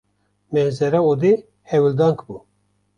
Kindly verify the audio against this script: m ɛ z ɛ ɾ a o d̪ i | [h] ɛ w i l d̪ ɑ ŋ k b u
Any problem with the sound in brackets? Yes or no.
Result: no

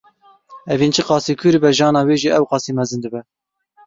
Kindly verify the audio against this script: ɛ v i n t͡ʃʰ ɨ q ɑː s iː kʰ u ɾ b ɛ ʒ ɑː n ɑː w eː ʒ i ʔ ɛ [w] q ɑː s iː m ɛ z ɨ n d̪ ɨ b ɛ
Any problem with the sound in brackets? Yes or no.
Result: no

